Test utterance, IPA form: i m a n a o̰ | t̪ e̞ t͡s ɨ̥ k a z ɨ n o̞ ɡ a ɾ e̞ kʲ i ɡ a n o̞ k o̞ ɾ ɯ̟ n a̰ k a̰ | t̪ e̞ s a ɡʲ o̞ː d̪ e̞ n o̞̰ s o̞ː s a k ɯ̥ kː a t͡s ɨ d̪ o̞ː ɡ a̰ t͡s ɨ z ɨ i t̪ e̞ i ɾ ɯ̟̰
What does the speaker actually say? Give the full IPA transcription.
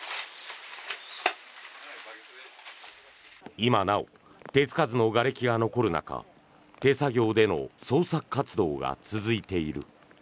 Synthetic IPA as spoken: i m a n a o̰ | t̪ e̞ t͡s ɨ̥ k a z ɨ n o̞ ɡ a ɾ e̞ kʲ i ɡ a n o̞ k o̞ ɾ ɯ̟ n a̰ k a̰ | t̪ e̞ s a ɡʲ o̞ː d̪ e̞ n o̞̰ s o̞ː s a k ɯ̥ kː a t͡s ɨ d̪ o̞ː ɡ a̰ t͡s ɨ z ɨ i t̪ e̞ i ɾ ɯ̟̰